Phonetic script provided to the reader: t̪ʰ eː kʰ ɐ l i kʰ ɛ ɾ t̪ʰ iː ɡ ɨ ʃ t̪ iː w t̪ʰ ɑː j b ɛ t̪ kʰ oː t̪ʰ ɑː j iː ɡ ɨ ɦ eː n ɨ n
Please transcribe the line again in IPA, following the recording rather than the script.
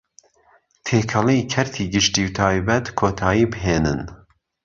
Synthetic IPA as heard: t̪ʰ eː kʰ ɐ l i kʰ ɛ ɾ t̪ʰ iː ɡ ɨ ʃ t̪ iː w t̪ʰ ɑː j b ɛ t̪ kʰ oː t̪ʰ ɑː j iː b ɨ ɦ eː n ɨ n